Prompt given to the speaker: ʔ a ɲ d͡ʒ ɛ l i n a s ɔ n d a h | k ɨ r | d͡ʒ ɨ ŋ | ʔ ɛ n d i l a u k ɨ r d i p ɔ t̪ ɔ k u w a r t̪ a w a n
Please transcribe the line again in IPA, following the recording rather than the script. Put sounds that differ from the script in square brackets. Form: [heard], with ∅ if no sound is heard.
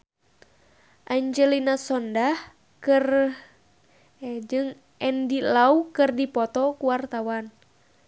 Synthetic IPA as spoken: ʔ a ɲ d͡ʒ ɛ l i n a s ɔ n d a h | k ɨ r | d͡ʒ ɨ ŋ | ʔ ɛ n d i l a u k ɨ r d i p ɔ t̪ ɔ k u w a r t̪ a w a n